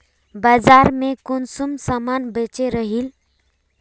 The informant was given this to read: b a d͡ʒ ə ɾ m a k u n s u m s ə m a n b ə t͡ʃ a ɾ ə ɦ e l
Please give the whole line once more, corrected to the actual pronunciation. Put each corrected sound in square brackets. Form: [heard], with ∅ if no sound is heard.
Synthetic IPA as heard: b a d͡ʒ [a] ɾ m [e] k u n s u m s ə m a n b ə t͡ʃ [e] ɾ ə ɦ [i] l